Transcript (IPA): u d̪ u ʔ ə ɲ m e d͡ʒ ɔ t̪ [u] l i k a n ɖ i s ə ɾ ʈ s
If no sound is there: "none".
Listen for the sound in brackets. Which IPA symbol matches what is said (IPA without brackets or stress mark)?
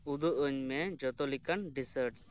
ɔ